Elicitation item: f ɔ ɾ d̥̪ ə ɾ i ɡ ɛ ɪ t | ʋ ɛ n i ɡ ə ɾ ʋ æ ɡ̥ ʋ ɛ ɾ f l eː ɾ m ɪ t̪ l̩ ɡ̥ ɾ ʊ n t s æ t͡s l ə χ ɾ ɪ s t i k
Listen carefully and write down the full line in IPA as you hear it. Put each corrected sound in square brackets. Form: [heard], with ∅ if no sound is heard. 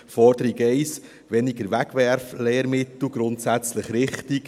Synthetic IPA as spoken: f ɔ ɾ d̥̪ ə ɾ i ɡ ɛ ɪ [s] | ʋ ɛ n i ɡ ə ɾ ʋ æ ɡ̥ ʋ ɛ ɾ f l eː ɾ m ɪ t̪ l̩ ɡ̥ ɾ ʊ n t s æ t͡s l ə χ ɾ ɪ [χ] t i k